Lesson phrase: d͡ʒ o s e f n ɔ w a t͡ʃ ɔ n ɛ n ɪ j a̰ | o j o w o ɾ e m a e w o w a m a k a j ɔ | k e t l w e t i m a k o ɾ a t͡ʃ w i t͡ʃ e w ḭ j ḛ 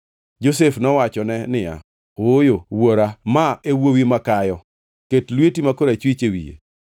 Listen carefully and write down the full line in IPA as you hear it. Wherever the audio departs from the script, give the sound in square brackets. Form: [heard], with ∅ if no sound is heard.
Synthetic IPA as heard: d͡ʒ o s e f n ɔ w a t͡ʃ ɔ n ɛ n ɪ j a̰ | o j o w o ɾ [a] m a e w o w [i] m a k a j ɔ | k e t l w e t i m a k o ɾ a t͡ʃ w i t͡ʃ e w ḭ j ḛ